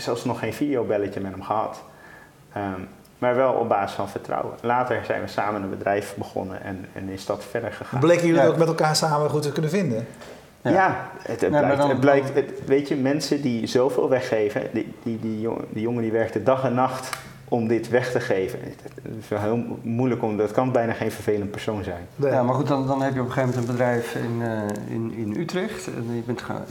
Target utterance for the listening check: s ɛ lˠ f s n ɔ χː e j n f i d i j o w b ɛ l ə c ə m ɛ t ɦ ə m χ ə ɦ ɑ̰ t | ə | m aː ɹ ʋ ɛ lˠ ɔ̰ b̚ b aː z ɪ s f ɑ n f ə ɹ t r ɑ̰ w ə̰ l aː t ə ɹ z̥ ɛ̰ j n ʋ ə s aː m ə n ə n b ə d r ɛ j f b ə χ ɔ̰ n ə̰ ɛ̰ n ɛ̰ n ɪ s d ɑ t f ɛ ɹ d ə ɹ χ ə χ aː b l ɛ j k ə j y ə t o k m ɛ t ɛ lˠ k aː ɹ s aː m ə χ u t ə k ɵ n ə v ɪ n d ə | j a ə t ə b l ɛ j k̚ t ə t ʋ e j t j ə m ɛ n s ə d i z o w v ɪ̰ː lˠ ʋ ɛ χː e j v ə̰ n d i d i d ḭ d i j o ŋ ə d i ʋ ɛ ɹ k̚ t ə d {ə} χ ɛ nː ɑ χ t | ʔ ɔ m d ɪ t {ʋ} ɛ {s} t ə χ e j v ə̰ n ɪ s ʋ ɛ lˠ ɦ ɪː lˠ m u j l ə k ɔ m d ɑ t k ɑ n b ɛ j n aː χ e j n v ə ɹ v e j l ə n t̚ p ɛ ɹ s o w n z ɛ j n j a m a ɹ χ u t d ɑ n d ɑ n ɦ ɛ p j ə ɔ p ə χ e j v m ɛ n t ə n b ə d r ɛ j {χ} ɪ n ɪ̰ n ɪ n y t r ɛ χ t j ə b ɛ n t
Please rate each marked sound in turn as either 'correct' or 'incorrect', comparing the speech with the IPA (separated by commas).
incorrect, correct, incorrect, incorrect